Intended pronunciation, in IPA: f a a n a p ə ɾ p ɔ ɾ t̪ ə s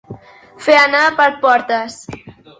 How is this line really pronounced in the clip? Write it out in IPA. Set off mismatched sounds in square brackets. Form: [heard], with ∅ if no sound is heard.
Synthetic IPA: f [e] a n a p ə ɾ p ɔ ɾ t̪ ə s